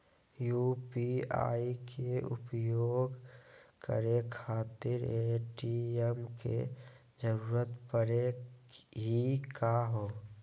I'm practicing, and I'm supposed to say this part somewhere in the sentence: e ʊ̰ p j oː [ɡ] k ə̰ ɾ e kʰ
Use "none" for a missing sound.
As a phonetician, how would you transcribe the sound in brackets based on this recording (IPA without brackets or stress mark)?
ɡ